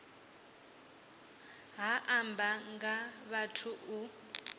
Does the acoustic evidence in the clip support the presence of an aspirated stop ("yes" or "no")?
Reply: yes